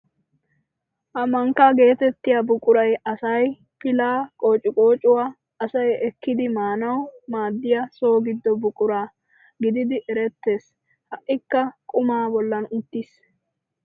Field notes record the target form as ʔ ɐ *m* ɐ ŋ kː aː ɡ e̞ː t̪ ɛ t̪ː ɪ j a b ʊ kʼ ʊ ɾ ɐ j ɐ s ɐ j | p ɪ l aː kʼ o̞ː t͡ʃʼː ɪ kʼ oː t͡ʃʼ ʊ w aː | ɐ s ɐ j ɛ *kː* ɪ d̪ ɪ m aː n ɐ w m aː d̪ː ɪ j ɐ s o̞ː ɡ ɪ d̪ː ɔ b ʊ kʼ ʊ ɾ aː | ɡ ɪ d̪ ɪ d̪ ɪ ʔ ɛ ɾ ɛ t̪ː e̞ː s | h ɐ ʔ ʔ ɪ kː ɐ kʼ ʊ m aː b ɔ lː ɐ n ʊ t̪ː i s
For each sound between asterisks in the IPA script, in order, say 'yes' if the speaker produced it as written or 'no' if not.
yes, yes

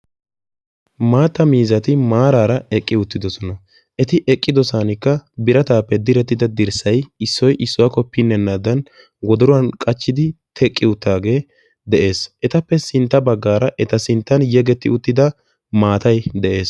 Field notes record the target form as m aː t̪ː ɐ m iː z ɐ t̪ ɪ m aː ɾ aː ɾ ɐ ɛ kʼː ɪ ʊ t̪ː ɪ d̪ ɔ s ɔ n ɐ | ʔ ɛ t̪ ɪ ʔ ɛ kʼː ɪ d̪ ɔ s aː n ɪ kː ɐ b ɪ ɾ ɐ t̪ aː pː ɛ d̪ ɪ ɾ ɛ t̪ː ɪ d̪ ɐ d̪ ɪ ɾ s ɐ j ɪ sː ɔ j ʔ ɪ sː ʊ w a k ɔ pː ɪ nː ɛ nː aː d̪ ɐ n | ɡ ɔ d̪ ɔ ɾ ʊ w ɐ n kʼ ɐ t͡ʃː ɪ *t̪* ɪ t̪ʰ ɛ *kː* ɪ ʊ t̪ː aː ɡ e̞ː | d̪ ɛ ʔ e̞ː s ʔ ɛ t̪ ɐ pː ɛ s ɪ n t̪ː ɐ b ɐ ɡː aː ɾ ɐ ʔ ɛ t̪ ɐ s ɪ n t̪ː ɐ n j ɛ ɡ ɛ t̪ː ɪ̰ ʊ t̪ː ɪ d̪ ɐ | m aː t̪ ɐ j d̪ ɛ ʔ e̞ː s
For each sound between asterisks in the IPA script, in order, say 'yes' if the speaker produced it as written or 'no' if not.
no, no

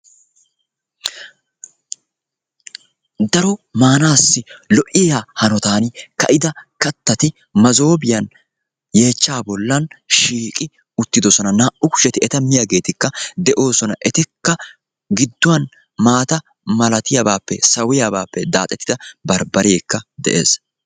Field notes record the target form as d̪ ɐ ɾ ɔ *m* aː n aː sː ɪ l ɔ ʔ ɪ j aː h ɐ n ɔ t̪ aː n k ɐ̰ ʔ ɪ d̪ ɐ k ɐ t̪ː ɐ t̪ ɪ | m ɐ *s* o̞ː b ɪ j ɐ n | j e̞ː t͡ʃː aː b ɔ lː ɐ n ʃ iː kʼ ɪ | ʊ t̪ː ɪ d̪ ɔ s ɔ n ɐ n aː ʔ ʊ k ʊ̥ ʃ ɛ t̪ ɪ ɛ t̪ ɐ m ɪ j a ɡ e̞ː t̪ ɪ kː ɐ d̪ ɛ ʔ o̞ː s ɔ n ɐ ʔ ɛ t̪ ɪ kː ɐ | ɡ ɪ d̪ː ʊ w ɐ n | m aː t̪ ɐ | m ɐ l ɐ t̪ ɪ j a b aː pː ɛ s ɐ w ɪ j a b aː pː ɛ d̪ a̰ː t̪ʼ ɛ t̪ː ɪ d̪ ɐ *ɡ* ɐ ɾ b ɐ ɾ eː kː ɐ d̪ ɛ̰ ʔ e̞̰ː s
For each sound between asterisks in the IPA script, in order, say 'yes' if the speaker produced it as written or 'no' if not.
yes, no, no

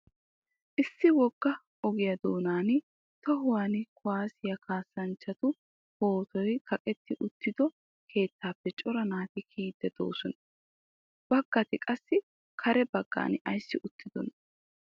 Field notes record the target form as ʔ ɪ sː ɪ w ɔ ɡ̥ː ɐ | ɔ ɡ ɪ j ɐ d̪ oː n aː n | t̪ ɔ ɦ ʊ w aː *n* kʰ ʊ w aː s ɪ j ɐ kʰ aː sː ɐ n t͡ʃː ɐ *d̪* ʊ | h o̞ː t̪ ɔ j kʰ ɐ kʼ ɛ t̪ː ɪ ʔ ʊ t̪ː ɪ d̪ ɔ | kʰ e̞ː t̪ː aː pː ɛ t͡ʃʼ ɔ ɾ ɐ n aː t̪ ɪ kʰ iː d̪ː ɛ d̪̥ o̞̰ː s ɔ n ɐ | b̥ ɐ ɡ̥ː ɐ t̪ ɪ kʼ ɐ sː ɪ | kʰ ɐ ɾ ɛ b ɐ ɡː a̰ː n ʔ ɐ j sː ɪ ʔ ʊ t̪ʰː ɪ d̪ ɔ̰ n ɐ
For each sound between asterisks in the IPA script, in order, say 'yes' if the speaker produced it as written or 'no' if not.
yes, no

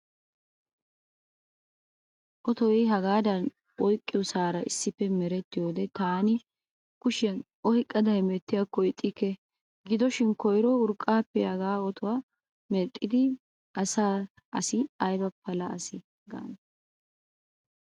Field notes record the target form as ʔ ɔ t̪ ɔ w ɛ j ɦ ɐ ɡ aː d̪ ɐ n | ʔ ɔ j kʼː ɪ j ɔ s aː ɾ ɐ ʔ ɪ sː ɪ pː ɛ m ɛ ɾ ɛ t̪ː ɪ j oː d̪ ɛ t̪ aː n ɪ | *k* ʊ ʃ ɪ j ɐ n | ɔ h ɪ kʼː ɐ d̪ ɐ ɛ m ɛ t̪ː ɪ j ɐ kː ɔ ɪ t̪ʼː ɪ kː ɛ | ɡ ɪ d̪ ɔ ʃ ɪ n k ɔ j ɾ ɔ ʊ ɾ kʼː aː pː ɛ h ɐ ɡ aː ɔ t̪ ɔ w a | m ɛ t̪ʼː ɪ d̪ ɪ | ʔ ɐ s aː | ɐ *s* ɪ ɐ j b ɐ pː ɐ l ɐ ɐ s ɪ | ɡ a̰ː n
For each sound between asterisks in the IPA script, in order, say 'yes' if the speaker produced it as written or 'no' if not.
yes, yes

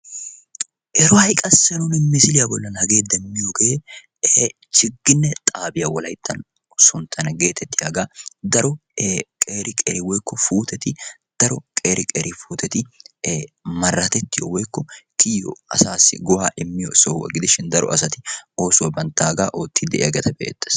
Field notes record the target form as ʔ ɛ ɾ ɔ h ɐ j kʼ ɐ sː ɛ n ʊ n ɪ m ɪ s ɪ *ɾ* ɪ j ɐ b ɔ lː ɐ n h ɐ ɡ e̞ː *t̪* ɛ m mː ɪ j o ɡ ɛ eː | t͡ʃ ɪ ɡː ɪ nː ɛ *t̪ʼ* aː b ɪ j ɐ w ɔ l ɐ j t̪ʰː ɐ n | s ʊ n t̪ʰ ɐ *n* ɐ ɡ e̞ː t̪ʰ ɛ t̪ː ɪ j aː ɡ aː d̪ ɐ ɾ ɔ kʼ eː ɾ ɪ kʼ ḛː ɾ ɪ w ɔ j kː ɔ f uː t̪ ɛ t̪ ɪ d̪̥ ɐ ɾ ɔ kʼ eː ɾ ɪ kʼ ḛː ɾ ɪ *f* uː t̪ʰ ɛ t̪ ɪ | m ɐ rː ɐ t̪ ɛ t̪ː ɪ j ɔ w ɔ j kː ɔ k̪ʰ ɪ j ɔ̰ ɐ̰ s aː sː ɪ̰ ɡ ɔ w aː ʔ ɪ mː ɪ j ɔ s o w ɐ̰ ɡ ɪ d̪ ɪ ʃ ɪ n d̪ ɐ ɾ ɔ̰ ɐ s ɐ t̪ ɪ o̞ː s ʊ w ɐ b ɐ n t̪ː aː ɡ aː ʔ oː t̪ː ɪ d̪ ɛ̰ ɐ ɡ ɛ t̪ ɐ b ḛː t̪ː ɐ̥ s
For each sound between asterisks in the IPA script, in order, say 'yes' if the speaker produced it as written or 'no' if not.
no, no, yes, yes, yes

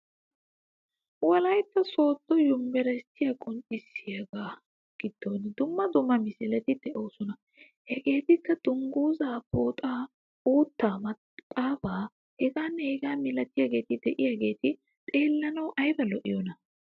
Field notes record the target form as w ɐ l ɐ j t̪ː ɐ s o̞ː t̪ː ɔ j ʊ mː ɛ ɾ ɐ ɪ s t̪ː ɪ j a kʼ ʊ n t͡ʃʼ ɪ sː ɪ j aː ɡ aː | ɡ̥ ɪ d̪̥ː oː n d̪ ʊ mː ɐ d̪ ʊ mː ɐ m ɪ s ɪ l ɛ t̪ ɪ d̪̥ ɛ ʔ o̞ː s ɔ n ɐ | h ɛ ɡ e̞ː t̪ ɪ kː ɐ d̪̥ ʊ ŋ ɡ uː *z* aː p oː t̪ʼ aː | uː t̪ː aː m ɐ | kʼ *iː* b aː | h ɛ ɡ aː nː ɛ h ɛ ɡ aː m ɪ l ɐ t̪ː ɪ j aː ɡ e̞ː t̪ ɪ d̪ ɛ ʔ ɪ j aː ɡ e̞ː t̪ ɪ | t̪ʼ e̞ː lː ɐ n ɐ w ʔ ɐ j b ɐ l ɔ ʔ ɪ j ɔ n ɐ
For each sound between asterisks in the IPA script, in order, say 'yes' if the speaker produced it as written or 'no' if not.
yes, no

